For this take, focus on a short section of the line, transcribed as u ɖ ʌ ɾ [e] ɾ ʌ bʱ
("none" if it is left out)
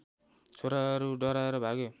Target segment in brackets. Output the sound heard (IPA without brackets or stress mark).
a